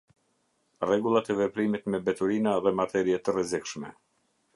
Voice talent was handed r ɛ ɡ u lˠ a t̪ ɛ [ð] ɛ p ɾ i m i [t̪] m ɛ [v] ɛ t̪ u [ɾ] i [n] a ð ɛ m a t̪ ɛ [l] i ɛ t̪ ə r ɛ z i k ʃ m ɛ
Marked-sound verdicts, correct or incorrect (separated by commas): incorrect, correct, incorrect, correct, correct, incorrect